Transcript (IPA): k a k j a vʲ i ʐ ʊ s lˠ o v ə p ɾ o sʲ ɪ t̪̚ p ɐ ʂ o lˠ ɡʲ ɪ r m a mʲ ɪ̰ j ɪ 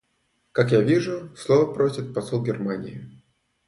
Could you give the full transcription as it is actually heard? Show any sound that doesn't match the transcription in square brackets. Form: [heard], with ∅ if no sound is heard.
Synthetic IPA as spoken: k a k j a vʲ i ʐ ʊ s lˠ o v ə p ɾ o sʲ ɪ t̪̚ p ɐ [s] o lˠ ɡʲ ɪ r m a [nʲ] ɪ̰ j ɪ